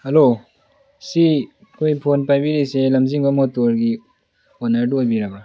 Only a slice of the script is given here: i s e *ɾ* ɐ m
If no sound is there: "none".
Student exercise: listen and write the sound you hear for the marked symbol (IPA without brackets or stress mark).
l